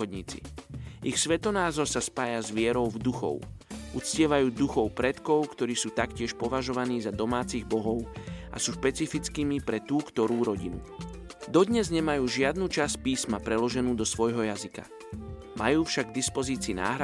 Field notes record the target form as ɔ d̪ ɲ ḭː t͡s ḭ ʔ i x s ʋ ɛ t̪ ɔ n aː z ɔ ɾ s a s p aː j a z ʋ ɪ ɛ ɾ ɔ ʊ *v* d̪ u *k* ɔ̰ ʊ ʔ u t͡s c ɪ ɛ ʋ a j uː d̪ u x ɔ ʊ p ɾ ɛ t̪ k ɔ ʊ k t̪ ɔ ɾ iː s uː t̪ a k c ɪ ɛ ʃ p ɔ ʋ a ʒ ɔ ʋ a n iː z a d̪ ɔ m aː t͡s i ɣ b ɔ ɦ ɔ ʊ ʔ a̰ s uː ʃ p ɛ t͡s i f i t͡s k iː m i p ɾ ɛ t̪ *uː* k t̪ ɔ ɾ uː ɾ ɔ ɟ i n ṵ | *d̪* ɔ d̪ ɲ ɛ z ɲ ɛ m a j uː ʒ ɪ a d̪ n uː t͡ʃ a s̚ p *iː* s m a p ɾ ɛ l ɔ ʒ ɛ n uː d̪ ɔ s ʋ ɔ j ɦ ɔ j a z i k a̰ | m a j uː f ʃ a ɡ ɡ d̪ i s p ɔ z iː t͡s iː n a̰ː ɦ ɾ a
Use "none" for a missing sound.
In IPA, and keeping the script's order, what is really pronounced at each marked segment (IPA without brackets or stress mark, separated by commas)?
v, x, uː, d̪, iː